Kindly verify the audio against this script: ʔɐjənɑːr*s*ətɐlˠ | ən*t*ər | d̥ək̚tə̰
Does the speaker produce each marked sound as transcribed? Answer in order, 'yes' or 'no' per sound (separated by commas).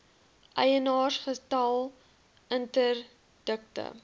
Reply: no, yes